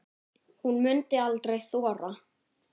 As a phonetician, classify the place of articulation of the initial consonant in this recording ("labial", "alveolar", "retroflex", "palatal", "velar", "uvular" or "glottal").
glottal